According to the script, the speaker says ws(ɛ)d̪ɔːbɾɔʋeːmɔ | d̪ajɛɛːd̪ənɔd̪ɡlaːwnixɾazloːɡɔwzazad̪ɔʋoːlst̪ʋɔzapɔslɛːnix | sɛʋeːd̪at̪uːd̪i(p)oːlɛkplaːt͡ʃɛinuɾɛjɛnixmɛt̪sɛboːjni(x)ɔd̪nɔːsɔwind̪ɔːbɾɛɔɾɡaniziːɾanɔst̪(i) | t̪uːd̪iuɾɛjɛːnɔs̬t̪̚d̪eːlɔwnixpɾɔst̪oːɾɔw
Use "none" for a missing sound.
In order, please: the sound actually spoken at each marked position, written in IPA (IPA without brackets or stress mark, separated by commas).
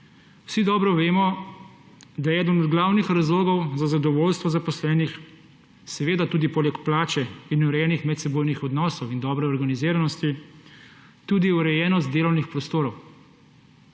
i, p, x, i